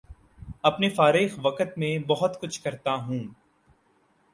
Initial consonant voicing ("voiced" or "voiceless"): voiceless